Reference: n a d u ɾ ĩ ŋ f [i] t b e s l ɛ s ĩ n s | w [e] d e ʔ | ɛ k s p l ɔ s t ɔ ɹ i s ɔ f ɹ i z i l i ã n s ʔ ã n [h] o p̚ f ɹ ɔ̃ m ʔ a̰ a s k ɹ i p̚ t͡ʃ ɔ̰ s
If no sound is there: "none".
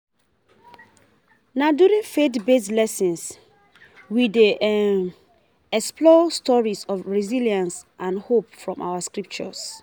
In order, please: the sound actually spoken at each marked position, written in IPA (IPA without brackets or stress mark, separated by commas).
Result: e, i, h